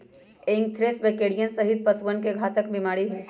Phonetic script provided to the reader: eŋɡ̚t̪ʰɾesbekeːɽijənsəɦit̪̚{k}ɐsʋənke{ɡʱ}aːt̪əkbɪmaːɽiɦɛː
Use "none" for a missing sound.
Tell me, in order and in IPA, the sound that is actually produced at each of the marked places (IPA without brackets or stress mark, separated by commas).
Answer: p, ɡʱ